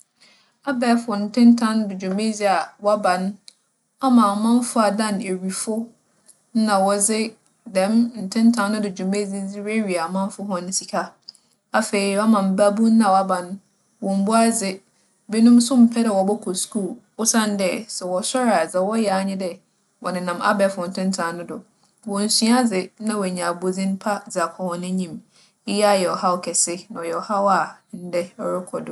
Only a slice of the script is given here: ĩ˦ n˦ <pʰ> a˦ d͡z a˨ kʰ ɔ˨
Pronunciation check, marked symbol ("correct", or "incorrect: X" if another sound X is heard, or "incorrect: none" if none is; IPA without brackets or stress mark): correct